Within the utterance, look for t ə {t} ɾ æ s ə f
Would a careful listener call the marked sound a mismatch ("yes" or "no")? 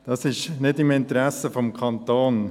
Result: yes